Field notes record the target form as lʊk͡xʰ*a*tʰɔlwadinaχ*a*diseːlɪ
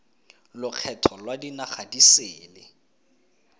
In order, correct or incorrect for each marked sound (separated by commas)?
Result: incorrect, correct